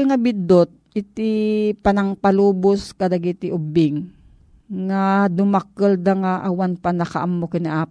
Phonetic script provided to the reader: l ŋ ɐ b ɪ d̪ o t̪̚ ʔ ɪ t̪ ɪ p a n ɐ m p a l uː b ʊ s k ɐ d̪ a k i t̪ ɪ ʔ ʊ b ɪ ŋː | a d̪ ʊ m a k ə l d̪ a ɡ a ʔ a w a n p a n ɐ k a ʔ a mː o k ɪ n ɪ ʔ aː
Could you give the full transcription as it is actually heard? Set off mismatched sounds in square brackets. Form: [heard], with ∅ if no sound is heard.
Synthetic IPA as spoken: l ŋ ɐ b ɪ d̪ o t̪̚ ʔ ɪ t̪ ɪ p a n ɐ [ŋ] p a l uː b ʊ s k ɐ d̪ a [ɡ] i t̪ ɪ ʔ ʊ b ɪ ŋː | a d̪ ʊ m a k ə l d̪ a [ŋ] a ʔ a w a n p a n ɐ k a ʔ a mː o k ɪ n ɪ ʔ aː